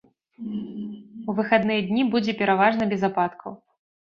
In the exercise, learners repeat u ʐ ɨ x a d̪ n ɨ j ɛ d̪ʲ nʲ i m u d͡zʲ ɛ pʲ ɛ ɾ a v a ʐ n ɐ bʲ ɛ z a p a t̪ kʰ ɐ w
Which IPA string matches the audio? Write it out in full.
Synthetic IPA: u v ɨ x a d̪ n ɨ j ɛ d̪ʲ nʲ i b u d͡zʲ ɛ pʲ ɛ ɾ a v a ʐ n ɐ bʲ ɛ z a p a t̪ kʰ ɐ w